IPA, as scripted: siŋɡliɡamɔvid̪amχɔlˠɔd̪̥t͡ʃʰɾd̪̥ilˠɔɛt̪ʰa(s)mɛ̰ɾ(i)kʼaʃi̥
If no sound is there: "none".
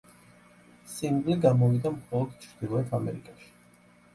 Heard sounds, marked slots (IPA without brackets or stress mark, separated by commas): none, i